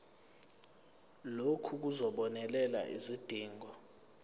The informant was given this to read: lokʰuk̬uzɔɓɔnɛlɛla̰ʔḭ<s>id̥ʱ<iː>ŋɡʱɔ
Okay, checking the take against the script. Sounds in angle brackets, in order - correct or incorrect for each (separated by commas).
incorrect, correct